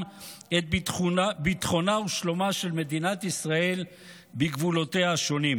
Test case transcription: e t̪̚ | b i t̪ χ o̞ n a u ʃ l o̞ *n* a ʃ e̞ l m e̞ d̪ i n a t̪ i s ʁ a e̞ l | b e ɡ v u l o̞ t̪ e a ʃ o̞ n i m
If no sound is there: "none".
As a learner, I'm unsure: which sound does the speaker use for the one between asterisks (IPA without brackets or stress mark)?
m